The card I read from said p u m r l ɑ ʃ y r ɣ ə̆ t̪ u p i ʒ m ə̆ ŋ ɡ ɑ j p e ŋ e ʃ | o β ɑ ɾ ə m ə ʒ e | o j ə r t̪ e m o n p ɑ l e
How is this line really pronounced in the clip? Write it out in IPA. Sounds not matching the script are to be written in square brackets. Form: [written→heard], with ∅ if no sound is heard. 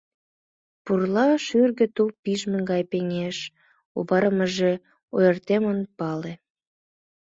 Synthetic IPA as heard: p u [m→∅] r l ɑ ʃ y r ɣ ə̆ t̪ u p i ʒ m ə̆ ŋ ɡ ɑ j p e ŋ e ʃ | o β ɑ ɾ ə m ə ʒ e | o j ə r t̪ e m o n p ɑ l e